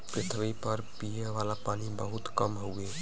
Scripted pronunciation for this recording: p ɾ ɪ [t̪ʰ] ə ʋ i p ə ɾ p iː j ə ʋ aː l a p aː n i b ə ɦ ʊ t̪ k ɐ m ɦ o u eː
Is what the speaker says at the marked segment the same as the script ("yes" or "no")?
yes